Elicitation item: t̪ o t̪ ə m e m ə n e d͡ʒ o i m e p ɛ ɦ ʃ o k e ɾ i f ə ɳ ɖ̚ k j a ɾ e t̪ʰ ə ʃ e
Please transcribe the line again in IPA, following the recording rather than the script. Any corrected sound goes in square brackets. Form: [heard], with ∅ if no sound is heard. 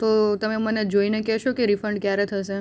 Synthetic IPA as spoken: t̪ o t̪ ə m e m ə n e d͡ʒ o i [n] e [k] ɛ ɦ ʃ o k e ɾ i f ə ɳ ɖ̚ k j a ɾ e t̪ʰ ə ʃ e